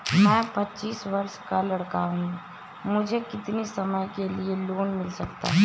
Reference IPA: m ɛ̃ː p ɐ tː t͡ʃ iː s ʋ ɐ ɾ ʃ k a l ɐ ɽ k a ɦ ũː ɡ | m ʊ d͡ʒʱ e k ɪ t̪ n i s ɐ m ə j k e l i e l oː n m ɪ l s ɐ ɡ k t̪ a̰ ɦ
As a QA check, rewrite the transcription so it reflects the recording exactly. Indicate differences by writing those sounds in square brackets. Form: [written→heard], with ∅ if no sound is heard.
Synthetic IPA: m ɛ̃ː p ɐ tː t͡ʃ iː s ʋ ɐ ɾ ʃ k a l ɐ ɽ k a ɦ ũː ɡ | m ʊ d͡ʒʱ e k ɪ t̪ n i s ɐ m ə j k e l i e l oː n m ɪ l s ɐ [ɡ→∅] k t̪ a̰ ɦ